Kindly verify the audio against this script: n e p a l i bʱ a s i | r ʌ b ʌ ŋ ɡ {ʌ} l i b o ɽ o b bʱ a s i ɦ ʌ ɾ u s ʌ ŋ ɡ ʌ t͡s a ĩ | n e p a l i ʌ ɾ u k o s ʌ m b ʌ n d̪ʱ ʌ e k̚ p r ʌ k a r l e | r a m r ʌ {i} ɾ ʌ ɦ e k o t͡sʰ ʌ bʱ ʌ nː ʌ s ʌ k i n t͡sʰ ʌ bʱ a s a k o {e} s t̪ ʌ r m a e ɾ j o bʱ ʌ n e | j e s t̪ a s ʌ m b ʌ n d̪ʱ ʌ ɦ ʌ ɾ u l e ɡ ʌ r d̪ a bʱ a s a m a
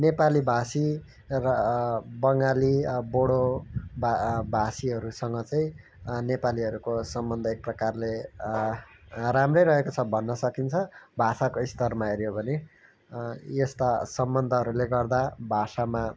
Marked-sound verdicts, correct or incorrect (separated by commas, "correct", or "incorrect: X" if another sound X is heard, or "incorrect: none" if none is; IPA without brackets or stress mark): incorrect: a, incorrect: j, incorrect: i